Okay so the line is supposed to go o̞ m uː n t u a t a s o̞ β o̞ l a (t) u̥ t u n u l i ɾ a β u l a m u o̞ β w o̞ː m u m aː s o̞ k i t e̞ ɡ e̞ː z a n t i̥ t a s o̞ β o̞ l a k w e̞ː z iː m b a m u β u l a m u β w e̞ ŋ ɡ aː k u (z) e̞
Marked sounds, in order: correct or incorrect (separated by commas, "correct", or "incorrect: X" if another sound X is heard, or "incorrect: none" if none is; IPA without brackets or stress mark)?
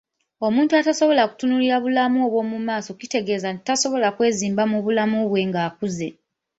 incorrect: k, correct